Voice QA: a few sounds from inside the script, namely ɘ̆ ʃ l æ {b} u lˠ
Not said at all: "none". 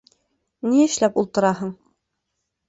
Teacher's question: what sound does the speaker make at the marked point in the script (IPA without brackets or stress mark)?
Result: p